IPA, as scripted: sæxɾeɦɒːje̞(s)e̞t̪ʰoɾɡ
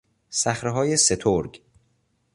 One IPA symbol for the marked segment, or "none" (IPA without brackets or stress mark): s